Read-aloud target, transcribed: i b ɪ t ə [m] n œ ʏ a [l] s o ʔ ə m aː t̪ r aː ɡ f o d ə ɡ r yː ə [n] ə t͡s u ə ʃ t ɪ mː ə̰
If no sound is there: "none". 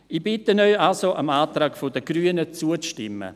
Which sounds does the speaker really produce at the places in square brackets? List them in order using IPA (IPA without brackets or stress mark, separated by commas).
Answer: none, l, n